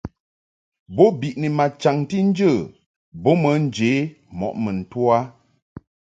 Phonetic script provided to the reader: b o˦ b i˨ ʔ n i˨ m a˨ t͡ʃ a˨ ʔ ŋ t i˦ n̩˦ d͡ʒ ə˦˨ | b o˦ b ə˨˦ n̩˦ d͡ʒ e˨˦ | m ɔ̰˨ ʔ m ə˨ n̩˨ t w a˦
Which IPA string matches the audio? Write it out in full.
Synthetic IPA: b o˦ b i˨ ʔ n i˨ m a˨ t͡ʃ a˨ ŋ t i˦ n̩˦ d͡ʒ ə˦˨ | b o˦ m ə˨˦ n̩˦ d͡ʒ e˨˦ | m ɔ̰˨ ʔ m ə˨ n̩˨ t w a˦